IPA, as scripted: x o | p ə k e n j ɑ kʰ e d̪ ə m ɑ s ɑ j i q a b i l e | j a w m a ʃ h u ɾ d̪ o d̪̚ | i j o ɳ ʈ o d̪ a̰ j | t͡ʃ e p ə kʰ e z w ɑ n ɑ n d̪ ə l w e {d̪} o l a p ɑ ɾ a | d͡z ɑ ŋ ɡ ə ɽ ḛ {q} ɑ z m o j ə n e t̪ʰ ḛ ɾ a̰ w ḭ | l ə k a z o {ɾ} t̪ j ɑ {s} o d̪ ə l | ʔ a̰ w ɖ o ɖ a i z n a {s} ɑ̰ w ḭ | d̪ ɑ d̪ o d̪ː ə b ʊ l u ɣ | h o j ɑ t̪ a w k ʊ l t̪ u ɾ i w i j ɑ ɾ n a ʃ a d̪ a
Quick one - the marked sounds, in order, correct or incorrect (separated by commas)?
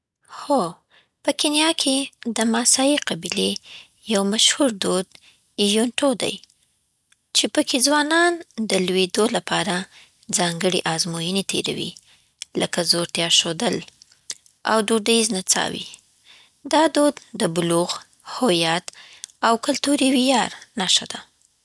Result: correct, incorrect, correct, incorrect, incorrect